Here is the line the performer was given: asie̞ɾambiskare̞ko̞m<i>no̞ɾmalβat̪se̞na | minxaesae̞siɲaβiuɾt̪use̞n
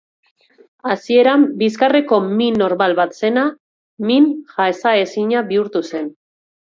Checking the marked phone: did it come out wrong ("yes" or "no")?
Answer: no